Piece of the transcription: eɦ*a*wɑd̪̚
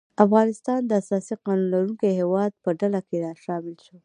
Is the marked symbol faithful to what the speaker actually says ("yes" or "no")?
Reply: no